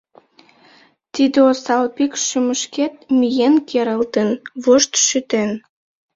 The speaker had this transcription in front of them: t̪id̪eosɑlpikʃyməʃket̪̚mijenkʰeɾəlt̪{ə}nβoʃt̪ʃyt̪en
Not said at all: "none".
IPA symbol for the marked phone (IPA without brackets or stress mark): ə